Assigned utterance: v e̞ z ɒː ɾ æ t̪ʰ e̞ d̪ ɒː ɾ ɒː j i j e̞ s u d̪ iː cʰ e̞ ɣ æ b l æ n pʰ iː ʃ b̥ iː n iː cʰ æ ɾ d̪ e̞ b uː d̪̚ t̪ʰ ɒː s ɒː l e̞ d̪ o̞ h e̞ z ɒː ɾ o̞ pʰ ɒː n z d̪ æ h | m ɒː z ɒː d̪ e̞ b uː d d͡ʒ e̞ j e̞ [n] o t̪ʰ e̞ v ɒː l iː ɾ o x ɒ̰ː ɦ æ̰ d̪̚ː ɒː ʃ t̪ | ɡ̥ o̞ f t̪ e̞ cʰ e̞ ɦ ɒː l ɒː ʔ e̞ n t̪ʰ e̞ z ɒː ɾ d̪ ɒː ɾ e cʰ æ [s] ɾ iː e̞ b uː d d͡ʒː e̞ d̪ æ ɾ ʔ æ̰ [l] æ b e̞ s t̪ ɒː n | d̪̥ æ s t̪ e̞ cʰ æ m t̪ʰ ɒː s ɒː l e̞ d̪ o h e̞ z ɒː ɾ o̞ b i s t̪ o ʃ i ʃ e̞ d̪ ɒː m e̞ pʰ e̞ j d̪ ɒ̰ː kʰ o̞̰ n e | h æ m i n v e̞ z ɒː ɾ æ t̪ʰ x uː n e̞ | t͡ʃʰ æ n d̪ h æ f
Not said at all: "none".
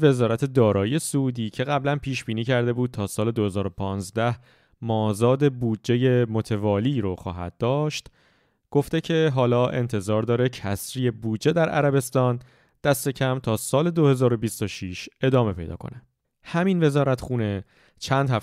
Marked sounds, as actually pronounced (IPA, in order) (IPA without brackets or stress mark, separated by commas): m, s, ɾ